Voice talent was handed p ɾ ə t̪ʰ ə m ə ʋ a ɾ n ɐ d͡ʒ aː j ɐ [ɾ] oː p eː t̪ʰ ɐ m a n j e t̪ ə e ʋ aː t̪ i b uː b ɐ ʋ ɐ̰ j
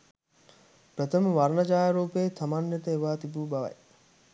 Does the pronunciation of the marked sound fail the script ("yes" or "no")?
no